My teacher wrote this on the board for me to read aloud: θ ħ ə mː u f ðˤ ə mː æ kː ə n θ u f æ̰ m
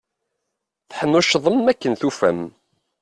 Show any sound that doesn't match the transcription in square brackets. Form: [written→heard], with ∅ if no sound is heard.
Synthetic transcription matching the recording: θ ħ ə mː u [f→ʃ] ðˤ ə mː æ kː ə n θ u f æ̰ m